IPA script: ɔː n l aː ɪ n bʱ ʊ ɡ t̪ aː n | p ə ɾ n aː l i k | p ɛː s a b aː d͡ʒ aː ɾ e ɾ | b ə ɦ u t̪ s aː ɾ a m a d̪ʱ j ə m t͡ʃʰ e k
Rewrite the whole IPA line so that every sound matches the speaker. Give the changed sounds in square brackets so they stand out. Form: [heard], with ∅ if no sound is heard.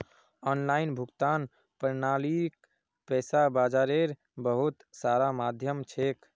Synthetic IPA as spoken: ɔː n l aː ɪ n bʱ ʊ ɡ t̪ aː n | p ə ɾ n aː l i k | p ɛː s a b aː d͡ʒ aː ɾ e ɾ | b ə ɦ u t̪ s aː ɾ a m a d̪ʱ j ə m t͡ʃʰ e k